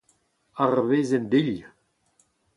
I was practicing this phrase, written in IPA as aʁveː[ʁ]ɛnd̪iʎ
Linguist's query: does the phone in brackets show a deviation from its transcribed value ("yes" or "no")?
yes